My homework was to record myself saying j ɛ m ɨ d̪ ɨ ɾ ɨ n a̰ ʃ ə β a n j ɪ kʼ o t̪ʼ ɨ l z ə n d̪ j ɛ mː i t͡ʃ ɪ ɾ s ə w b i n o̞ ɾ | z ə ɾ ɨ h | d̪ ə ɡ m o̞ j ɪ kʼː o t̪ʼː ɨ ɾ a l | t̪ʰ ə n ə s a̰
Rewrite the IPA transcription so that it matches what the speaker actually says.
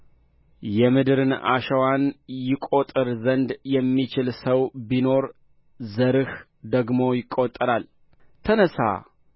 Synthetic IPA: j ɛ m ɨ d̪ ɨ ɾ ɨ n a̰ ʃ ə w a n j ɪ kʼ o t̪ʼ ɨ ɾ z ə n d̪ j ɛ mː i t͡ʃ ɪ l s ə w b i n o̞ ɾ | z ə ɾ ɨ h | d̪ ə ɡ m o̞ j ɪ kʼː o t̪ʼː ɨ ɾ a l | t̪ʰ ə n ə s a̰